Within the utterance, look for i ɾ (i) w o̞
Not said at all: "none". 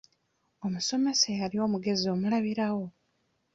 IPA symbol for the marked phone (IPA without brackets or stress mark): a